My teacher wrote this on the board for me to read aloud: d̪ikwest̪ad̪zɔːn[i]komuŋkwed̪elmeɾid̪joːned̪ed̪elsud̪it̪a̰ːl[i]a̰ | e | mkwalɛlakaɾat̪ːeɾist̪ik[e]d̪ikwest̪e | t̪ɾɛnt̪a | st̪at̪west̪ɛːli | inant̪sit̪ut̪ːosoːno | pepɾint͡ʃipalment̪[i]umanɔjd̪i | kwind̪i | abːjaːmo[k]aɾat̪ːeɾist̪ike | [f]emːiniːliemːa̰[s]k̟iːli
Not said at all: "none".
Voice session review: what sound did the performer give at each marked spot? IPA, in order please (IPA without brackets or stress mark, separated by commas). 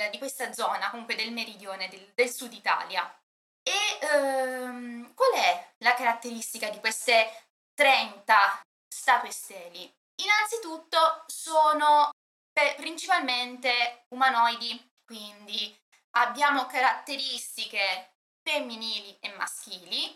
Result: a, j, a, e, k, f, s